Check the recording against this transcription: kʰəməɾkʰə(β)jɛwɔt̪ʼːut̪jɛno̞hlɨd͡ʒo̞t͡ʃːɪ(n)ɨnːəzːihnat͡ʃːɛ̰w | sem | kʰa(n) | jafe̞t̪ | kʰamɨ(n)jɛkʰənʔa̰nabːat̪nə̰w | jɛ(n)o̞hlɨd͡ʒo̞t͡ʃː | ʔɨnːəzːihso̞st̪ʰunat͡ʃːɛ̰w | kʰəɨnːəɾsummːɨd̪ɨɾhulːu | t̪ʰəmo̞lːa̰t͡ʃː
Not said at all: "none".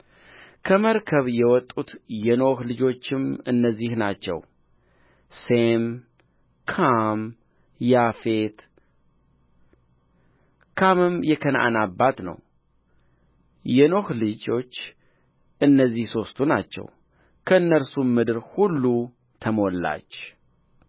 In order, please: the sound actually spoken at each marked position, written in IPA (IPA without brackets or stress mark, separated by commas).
β, m, m, m, n